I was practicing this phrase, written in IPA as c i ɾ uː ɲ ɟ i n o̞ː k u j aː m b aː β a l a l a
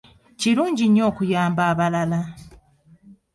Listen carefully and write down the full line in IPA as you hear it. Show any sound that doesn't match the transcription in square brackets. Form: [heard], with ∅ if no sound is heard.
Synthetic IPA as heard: c i ɾ uː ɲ ɟ i [ɲ] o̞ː k u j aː m b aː β a l a l a